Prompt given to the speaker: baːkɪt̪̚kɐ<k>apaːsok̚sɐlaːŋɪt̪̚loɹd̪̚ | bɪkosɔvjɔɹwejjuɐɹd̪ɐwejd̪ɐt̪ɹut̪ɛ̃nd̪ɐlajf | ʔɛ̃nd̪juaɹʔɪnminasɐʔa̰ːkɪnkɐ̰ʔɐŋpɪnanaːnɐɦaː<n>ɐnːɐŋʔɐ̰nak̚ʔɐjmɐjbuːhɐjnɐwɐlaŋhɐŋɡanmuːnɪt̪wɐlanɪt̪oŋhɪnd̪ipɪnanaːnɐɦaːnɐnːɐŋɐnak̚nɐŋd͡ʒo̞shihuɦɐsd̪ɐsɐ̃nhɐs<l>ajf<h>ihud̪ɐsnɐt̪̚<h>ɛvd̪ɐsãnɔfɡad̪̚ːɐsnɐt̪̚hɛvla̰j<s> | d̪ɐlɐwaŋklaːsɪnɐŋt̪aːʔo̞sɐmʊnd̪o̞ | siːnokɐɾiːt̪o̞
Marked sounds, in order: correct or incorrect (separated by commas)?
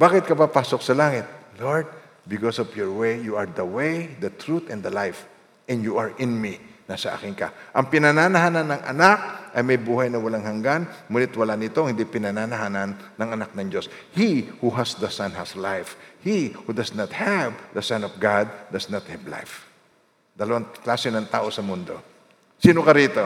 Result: incorrect, correct, correct, correct, correct, incorrect